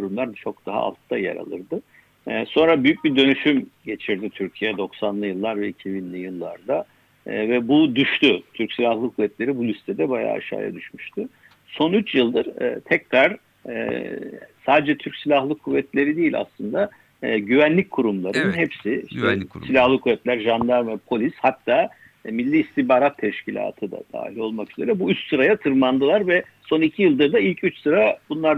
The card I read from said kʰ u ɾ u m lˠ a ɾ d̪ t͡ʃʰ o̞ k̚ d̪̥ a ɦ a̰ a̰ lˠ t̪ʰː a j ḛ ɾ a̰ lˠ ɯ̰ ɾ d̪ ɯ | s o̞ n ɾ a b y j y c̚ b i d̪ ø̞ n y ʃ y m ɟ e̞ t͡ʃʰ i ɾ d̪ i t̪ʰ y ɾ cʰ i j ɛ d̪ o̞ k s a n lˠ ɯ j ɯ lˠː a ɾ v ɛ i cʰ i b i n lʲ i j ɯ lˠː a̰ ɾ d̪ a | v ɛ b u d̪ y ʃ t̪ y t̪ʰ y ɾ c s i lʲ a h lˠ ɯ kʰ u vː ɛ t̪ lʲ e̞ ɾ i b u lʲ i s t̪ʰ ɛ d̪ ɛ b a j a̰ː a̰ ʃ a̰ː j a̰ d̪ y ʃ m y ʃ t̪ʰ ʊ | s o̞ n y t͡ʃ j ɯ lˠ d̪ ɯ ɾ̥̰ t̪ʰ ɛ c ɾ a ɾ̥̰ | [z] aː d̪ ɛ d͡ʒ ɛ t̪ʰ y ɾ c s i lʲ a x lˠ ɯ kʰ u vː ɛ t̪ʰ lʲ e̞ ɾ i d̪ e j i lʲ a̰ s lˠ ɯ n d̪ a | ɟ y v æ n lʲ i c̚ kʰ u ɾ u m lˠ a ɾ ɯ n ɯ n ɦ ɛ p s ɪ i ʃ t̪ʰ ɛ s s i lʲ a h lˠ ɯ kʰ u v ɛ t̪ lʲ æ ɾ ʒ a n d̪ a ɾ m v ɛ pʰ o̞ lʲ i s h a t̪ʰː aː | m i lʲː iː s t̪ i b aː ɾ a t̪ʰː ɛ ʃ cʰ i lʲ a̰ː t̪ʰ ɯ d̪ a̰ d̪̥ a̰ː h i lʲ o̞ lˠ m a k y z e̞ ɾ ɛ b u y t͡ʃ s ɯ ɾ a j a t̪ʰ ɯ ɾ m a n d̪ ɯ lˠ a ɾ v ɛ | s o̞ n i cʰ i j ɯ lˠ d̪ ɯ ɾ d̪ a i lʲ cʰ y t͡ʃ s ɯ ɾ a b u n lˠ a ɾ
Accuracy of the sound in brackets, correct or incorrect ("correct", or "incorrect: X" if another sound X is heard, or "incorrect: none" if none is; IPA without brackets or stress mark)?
incorrect: s